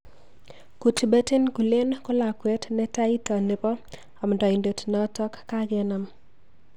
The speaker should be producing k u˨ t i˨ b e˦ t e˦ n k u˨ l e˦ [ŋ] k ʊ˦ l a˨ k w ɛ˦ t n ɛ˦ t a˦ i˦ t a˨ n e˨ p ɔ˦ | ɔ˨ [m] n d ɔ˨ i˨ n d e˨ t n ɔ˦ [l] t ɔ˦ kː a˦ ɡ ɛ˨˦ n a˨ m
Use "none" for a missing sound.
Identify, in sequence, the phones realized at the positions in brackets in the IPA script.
n, m, none

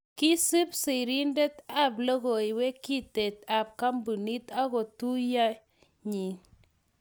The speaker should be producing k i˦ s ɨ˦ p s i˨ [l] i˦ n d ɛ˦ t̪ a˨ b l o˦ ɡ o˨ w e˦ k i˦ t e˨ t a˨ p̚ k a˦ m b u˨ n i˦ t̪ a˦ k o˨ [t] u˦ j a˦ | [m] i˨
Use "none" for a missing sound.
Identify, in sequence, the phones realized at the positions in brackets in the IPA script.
ɾ, t, ɲ

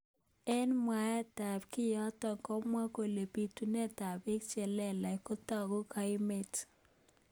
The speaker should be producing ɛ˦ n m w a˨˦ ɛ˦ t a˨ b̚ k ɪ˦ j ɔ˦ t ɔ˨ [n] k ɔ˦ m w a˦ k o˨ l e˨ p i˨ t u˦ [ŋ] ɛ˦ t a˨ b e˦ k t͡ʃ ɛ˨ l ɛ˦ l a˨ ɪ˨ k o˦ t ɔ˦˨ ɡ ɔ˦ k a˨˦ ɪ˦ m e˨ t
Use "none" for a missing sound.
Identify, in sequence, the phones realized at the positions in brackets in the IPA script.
ŋ, n

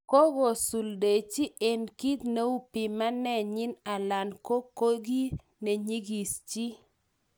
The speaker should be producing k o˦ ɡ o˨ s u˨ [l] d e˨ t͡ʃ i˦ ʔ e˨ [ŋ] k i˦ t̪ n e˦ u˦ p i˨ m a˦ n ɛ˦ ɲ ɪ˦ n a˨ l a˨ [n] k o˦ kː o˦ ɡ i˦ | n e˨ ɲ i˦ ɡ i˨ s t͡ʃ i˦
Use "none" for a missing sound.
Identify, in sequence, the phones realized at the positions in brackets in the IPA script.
l, n, n

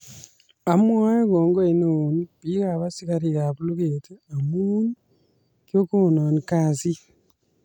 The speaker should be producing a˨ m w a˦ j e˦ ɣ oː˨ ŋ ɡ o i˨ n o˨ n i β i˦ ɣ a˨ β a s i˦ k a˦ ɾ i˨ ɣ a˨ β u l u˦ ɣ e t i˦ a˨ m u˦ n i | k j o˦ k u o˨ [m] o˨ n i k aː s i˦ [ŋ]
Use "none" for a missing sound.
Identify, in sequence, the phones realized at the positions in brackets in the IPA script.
n, none

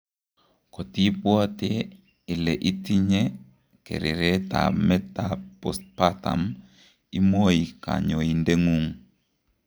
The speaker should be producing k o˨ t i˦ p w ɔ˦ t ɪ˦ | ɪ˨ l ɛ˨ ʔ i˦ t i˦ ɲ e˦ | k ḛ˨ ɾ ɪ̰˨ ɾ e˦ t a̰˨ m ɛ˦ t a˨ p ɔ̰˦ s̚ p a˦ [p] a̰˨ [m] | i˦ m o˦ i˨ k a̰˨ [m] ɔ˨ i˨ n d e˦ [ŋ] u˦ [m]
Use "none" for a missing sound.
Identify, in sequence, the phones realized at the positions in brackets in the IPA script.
t, m, ɲ, ŋ, ŋ

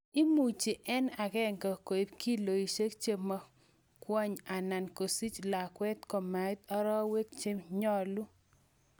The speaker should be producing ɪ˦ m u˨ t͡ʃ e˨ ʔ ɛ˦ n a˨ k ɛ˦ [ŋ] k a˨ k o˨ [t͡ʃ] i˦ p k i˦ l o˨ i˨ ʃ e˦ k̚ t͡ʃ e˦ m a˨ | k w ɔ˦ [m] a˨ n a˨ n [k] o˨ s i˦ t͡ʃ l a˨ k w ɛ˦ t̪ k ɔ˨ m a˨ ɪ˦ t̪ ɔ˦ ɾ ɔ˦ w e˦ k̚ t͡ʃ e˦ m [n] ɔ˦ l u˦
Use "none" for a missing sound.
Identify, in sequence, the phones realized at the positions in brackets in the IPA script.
ŋ, none, ɲ, k, ɲ

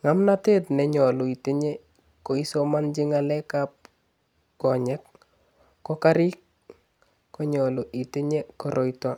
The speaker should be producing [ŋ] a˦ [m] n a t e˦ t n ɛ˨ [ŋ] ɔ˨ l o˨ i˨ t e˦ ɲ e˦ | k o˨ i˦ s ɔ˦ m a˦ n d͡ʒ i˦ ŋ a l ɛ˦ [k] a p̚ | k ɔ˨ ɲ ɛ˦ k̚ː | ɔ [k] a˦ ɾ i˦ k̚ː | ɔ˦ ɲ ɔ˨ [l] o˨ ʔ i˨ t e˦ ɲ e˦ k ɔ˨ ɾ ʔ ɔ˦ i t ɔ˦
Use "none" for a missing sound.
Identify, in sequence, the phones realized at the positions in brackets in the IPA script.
ŋ, m, ɲ, k, k, l

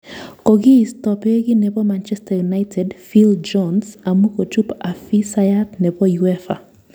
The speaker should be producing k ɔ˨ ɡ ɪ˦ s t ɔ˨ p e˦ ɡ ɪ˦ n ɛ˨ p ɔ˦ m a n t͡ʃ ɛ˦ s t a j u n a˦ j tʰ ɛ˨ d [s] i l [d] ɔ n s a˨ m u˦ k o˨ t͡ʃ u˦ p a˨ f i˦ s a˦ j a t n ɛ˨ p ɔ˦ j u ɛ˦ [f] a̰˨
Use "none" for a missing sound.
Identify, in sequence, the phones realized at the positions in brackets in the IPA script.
f, d͡ʒ, f

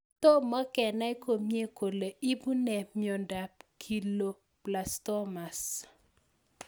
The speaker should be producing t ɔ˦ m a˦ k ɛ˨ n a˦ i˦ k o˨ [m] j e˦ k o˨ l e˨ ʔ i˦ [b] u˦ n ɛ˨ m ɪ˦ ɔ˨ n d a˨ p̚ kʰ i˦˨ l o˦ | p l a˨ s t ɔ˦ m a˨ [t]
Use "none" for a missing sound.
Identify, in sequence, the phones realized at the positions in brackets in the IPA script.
m, b, s

